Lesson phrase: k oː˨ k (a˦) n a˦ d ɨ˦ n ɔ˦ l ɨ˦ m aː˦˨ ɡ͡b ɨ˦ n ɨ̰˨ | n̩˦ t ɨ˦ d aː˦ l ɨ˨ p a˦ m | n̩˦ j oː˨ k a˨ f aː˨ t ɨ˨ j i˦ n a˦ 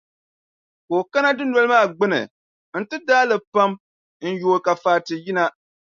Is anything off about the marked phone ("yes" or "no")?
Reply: no